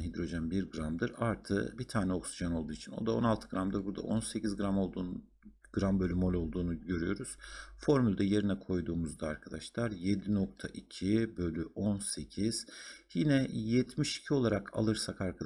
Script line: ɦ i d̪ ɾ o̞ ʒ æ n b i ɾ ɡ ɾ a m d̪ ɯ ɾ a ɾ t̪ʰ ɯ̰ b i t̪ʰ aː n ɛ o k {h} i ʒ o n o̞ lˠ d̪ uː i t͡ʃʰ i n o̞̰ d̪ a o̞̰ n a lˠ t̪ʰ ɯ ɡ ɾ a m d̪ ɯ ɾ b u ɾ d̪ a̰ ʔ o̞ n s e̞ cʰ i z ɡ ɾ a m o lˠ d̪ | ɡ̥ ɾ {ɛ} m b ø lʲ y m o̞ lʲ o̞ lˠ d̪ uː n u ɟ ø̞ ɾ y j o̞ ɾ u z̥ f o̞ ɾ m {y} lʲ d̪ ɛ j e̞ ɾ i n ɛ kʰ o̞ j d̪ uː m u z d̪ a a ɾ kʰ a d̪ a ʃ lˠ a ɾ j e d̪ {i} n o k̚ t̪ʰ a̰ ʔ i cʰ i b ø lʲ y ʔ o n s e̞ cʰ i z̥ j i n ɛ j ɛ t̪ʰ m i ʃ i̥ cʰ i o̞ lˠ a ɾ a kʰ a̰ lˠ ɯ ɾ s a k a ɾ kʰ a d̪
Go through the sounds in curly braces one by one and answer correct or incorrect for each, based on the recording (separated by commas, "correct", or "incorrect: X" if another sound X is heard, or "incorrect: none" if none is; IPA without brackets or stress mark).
incorrect: s, incorrect: a, correct, correct